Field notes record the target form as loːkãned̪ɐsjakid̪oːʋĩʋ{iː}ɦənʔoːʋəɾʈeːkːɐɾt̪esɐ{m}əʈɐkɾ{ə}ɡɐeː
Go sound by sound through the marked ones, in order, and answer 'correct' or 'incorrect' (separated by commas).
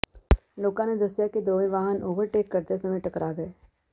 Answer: incorrect, correct, incorrect